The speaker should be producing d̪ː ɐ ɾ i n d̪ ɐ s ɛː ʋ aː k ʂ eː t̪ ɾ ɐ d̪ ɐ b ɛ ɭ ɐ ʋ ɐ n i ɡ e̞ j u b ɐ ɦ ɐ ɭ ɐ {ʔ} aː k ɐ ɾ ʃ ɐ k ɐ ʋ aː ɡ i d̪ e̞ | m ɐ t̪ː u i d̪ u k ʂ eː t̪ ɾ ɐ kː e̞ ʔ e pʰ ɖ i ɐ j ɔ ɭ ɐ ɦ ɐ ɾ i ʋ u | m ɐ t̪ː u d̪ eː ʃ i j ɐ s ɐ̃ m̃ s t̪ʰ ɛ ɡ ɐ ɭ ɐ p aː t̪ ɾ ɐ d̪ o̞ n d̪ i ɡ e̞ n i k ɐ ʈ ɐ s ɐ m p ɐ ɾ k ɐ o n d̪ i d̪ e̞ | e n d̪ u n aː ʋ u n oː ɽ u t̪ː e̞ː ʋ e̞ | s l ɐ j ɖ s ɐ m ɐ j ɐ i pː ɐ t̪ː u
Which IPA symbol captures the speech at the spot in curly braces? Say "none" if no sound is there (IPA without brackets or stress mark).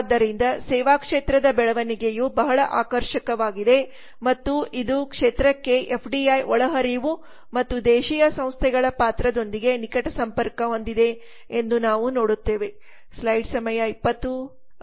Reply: ʔ